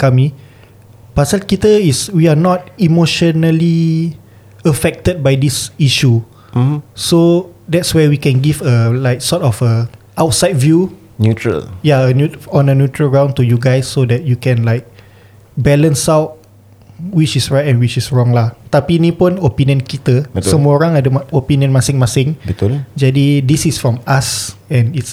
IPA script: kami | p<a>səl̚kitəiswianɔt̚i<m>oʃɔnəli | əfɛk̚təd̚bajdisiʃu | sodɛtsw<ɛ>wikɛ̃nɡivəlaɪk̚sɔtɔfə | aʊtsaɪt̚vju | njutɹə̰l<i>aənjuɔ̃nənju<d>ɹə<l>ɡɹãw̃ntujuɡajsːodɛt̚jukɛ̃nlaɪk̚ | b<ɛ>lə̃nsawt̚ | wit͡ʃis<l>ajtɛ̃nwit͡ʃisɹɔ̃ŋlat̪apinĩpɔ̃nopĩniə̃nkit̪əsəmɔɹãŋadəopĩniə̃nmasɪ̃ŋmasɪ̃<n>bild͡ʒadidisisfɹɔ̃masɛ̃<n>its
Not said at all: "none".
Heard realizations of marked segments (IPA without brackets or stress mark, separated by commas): a, m, ɛ, j, t, l, ɛ, ɹ, ŋ, n